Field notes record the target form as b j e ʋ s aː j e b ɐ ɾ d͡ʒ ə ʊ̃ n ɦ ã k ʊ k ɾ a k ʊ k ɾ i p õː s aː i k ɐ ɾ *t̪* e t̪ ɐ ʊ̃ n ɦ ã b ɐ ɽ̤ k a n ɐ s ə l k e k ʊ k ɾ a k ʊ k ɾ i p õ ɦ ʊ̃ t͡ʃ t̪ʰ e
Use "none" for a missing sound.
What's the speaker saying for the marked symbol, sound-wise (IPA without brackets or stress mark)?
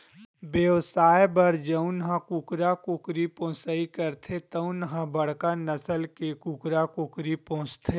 t̪ʰ